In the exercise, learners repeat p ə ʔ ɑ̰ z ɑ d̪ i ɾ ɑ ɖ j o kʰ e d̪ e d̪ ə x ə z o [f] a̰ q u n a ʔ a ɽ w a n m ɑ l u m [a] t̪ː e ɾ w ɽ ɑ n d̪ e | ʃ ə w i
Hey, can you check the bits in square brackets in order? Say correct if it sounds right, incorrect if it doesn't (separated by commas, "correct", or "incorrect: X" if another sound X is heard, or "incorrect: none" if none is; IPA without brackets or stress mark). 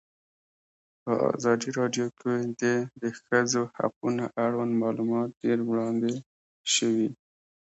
incorrect: h, incorrect: ɑ